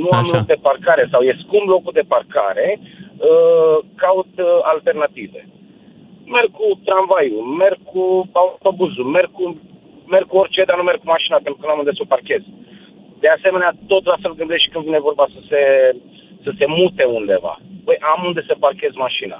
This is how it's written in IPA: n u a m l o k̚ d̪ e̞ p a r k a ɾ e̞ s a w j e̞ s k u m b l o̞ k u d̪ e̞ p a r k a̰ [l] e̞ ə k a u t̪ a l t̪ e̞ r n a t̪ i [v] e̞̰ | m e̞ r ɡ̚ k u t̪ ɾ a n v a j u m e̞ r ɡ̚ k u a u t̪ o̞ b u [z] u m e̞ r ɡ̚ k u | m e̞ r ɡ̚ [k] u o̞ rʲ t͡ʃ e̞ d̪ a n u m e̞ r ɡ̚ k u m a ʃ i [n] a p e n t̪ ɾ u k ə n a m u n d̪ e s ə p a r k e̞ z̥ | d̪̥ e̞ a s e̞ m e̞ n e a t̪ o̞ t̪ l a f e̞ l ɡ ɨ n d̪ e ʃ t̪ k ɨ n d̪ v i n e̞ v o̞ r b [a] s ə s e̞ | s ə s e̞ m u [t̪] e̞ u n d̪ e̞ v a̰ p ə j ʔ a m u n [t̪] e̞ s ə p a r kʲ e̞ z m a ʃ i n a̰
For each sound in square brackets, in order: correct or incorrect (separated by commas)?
incorrect, correct, correct, correct, correct, correct, correct, incorrect